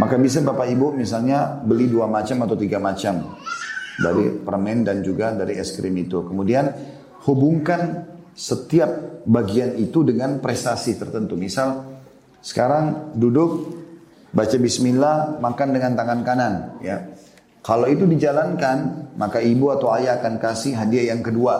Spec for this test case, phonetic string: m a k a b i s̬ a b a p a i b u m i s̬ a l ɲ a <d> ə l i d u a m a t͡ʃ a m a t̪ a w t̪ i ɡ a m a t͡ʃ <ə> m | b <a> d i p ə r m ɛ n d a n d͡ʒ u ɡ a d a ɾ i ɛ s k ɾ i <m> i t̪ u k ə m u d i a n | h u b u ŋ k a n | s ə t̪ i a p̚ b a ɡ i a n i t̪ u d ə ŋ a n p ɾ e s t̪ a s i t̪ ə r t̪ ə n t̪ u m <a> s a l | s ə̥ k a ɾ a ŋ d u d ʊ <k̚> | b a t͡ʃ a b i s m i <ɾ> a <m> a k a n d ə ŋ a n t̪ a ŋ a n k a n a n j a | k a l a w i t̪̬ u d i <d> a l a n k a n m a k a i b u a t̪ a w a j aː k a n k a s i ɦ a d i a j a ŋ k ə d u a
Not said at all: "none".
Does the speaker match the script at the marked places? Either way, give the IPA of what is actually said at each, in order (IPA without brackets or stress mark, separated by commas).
b, a, a, m, i, k̚, l, m, d͡ʒ